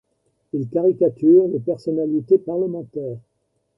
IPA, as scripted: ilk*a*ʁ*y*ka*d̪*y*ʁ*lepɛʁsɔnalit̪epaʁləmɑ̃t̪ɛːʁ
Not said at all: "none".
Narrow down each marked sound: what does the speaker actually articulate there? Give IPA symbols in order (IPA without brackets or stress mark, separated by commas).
a, i, t̪, ʁ